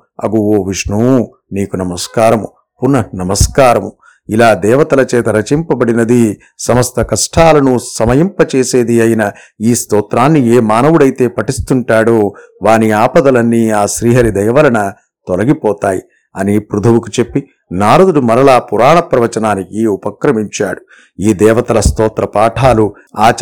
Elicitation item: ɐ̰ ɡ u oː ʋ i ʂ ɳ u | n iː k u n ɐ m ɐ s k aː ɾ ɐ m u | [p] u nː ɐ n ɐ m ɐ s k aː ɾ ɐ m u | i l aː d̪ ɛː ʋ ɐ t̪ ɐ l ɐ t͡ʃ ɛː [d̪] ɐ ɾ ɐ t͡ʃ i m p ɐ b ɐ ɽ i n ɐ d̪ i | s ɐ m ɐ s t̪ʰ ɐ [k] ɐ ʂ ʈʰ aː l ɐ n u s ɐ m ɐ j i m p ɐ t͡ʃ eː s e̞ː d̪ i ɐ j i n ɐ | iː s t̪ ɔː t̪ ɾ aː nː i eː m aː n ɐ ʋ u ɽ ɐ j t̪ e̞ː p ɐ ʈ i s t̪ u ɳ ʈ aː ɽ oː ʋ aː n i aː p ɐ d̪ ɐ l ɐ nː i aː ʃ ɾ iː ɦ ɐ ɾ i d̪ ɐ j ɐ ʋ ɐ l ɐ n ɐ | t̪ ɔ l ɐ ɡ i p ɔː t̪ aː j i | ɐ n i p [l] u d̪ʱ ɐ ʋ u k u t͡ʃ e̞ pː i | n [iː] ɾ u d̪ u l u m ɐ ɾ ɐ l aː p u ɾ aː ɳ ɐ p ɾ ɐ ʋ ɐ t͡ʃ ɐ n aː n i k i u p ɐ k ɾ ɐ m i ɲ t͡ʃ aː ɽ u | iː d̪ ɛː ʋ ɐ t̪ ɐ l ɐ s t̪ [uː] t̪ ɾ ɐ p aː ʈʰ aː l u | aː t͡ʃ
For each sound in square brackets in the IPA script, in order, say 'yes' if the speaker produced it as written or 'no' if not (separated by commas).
yes, no, yes, no, no, no